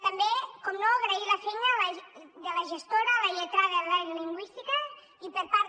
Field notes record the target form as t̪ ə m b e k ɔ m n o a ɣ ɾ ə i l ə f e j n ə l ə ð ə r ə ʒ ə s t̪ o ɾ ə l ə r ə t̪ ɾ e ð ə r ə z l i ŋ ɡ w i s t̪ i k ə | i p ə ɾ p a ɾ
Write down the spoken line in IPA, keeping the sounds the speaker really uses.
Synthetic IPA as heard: t̪ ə m b e k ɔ m n o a ɣ ɾ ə i l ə f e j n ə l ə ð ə l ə ʒ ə s t̪ o ɾ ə l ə ʎ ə t̪ ɾ a ð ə l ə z l i ŋ ɡ w i s t̪ i k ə | i p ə ɾ p a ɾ